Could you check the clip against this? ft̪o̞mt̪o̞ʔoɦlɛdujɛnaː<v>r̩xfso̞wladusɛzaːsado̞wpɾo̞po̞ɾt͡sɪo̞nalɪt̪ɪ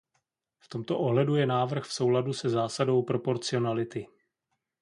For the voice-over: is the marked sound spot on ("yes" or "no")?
yes